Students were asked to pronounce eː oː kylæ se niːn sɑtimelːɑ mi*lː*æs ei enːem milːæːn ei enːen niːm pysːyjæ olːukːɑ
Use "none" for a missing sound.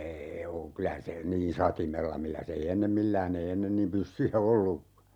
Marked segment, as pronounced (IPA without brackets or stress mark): lː